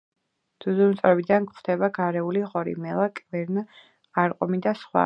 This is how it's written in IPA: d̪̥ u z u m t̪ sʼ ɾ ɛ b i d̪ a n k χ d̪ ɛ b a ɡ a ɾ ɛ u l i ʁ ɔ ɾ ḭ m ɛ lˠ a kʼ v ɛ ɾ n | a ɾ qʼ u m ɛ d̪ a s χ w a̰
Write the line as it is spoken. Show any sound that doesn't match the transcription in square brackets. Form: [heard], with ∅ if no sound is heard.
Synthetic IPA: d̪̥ u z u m t̪ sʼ ɾ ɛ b i d̪ a n k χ d̪ ɛ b a ɡ a ɾ ɛ u l i ʁ ɔ ɾ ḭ m ɛ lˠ a kʼ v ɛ ɾ n | a ɾ qʼ [ɔ] m [i] d̪ a s χ w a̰